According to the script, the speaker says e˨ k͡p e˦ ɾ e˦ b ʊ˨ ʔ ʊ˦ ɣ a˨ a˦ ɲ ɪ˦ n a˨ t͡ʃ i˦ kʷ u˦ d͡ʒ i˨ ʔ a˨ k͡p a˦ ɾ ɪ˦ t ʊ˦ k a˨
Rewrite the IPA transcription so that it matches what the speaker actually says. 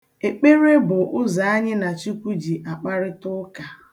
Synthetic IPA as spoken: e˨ k͡p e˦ ɾ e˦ b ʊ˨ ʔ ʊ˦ z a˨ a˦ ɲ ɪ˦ n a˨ t͡ʃ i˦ kʷ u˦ d͡ʒ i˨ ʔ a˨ k͡p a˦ ɾ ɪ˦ t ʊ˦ k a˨